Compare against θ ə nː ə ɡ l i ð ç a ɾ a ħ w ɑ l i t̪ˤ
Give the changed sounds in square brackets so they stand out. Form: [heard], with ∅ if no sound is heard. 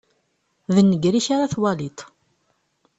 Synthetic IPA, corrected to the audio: [ð] ə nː ə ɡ [ɾ] i [∅] ç a ɾ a [θ] w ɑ l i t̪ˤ